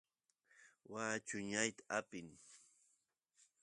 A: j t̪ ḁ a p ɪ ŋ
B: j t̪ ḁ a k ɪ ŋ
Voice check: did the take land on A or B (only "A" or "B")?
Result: A